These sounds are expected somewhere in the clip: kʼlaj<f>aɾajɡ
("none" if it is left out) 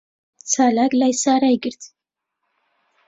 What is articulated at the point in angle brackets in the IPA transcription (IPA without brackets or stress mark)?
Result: s